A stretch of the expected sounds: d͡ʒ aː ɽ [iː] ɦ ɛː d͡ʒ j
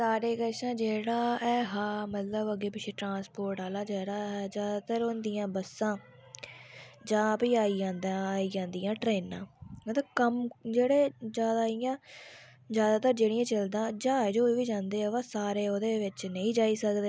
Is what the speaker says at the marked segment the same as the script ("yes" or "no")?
no